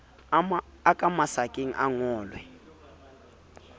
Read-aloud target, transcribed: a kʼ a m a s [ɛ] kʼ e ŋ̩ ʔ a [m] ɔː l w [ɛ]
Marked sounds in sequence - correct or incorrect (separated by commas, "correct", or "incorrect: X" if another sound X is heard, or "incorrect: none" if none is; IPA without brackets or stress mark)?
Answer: incorrect: a, incorrect: ŋ, correct